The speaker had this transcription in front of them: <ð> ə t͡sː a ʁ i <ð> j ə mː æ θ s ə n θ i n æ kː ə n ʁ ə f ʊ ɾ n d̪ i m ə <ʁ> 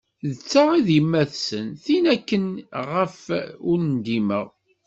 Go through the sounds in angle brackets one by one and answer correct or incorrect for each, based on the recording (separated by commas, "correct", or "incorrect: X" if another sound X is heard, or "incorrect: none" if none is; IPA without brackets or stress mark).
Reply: correct, correct, correct